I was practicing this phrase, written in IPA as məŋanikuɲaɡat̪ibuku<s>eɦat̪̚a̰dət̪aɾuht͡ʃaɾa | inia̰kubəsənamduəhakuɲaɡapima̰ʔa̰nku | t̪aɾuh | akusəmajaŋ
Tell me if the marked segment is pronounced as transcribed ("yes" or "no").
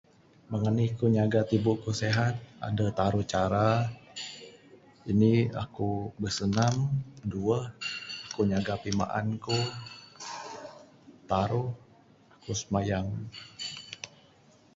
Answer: yes